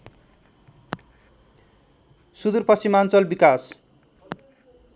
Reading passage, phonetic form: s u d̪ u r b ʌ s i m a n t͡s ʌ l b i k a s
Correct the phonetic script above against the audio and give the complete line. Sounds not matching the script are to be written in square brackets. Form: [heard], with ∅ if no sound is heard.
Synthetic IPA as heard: s u d̪ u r [p] ʌ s i m a n t͡s ʌ l b i k a s